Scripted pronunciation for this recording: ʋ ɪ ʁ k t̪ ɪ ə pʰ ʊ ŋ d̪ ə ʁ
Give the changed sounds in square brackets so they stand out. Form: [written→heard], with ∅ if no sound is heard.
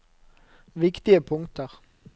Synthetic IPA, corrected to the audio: ʋ ɪ [ʁ→∅] k t̪ ɪ ə pʰ ʊ ŋ [d̪→t̪] ə ʁ